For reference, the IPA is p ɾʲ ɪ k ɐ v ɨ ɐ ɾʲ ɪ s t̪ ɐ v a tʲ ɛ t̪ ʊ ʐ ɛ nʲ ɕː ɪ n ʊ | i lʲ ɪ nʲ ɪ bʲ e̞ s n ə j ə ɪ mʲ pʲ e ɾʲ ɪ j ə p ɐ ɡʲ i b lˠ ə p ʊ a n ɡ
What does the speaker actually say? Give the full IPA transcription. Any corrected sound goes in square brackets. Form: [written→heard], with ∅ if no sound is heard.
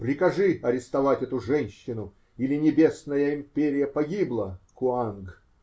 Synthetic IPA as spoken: p ɾʲ ɪ k ɐ [v→ʐ] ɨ ɐ ɾʲ ɪ s t̪ ɐ v a tʲ ɛ t̪ ʊ ʐ ɛ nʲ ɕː ɪ n ʊ | i lʲ ɪ nʲ ɪ bʲ e̞ s n ə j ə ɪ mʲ pʲ e ɾʲ ɪ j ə p ɐ ɡʲ i b lˠ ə [p→k] ʊ a n ɡ